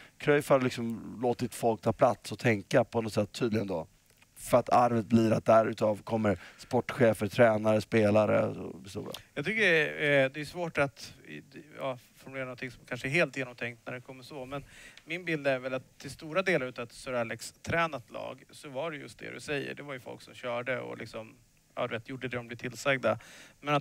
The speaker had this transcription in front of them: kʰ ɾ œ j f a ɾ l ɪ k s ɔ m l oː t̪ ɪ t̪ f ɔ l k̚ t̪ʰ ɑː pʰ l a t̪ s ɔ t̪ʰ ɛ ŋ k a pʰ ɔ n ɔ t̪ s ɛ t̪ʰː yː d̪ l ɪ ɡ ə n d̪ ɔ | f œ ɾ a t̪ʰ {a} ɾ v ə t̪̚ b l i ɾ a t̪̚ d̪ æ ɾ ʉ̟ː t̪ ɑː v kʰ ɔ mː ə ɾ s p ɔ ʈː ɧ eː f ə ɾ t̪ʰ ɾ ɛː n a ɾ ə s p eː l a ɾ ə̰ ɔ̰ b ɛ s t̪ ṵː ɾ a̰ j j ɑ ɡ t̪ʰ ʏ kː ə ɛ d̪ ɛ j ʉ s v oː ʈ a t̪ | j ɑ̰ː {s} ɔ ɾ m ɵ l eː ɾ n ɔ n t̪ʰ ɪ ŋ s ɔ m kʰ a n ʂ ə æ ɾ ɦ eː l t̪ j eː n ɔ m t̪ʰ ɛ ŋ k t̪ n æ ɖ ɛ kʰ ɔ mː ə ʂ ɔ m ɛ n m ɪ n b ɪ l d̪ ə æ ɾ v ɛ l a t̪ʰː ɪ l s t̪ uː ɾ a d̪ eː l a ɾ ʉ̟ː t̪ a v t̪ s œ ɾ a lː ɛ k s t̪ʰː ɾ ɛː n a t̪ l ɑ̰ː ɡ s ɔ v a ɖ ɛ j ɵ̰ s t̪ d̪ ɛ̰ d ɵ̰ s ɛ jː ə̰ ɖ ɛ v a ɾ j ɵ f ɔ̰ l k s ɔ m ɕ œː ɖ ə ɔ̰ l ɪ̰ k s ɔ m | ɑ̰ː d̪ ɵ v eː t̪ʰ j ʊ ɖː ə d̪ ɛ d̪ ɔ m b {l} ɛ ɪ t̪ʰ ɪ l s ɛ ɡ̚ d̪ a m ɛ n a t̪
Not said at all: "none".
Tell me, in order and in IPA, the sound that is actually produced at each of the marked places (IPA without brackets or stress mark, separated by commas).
a, f, l